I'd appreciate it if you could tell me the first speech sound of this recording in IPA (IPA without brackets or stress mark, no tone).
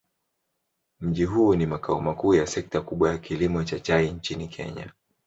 m̩